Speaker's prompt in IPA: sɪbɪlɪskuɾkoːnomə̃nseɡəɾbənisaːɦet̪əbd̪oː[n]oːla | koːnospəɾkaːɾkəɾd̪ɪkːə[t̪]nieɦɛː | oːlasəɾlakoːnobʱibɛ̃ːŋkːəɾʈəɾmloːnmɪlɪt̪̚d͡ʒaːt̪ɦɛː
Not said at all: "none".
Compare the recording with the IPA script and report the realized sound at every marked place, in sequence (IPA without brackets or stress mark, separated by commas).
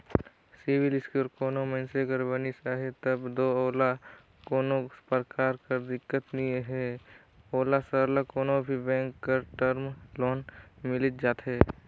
none, t̪